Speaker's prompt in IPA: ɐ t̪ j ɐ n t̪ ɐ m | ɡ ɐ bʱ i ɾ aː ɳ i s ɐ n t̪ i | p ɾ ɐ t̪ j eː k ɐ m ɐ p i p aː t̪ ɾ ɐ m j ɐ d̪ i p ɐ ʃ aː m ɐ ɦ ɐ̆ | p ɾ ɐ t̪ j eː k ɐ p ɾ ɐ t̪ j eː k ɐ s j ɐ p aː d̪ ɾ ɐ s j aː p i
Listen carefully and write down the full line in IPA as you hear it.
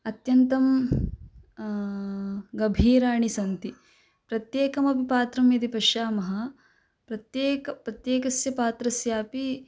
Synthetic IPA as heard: ɐ t̪ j ɐ n t̪ ɐ m | ɡ ɐ bʱ iː ɾ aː ɳ i s ɐ n t̪ i | p ɾ ɐ t̪ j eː k ɐ m ɐ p i p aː t̪ ɾ ɐ m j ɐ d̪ i p ɐ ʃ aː m ɐ ɦ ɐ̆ | p ɾ ɐ t̪ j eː k ɐ p ɾ ɐ t̪ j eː k ɐ s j ɐ p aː t̪ ɾ ɐ s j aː p i